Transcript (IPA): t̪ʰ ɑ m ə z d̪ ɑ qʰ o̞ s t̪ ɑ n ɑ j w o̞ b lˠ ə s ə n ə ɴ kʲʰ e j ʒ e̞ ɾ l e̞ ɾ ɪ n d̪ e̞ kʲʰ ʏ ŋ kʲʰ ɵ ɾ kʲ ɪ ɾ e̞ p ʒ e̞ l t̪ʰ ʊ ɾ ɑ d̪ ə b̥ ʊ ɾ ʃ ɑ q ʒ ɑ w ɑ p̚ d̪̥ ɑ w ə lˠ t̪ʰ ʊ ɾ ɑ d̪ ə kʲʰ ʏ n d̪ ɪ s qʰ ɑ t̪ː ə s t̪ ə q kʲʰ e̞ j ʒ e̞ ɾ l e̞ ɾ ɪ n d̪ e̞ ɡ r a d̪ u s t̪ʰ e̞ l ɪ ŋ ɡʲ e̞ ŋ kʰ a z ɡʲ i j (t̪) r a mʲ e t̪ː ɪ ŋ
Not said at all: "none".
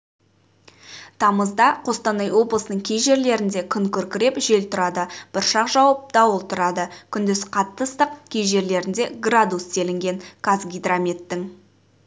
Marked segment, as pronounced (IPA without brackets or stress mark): d̪